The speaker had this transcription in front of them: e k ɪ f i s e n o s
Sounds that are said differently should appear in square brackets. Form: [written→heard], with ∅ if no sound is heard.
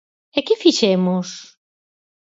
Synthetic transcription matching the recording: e k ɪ f i [s→ʃ] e [n→m] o s